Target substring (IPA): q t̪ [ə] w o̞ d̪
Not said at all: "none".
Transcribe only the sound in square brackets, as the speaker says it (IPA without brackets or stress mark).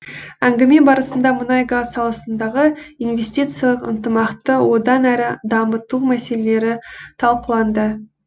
ə